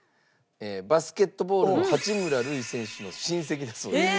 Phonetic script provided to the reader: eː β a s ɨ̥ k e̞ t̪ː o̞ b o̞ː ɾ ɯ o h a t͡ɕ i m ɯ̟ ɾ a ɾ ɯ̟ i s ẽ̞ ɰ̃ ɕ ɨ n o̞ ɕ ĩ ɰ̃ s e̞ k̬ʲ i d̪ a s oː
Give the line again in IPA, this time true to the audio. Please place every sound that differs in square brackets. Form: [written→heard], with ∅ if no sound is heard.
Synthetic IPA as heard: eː [β→b] a s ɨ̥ k e̞ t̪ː o̞ b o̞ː ɾ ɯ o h a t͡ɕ i m ɯ̟ ɾ a ɾ ɯ̟ i s ẽ̞ ɰ̃ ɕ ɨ n o̞ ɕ ĩ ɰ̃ s e̞ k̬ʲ i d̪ a s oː